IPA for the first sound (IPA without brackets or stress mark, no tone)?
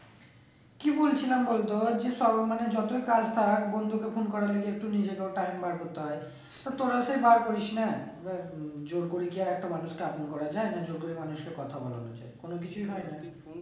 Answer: k